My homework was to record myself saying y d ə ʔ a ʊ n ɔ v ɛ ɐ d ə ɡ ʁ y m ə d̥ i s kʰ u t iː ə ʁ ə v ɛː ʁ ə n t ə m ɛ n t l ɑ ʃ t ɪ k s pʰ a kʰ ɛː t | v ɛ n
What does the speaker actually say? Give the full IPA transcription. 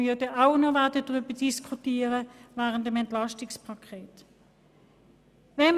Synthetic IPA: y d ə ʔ a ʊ n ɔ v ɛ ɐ d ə d ʁ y b ə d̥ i s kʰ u t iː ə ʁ ə v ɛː ʁ ə n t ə m ɛ n t l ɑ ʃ t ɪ k s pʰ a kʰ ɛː t | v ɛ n

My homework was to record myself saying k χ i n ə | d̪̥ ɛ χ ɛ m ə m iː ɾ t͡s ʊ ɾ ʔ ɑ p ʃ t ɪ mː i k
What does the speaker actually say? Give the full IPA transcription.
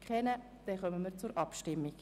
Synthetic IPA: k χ ɛ n ə | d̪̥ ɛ χ œ m ə m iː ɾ t͡s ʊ ɾ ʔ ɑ p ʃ t ɪ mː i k

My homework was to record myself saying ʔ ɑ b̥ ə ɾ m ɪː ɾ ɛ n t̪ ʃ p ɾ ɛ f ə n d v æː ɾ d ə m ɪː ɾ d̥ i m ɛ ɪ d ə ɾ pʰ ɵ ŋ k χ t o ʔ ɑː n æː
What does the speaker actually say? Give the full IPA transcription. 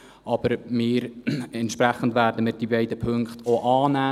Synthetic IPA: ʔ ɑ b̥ ə ɾ m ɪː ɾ ɛ n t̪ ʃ p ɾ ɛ χ ə n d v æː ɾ d ə m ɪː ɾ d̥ i b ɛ ɪ d ə pʰ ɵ ŋ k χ t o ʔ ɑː n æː

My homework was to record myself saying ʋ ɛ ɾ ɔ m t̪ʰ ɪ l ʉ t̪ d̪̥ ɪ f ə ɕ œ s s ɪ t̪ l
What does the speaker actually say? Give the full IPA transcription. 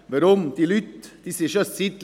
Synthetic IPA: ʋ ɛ ɾ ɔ m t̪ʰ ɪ l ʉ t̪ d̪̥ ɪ s ə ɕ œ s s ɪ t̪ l

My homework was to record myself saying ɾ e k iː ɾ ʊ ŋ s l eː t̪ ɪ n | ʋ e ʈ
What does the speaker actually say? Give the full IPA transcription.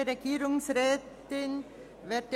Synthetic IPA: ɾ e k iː ɾ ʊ ŋ s ɾ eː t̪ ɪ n | ʋ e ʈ

